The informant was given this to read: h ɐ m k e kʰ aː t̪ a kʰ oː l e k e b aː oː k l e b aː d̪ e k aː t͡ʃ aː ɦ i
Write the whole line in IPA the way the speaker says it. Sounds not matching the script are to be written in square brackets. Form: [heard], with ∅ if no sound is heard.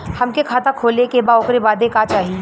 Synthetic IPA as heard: h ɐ m k e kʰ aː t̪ a kʰ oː l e k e b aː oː k [ɾ] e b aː d̪ e k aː t͡ʃ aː ɦ i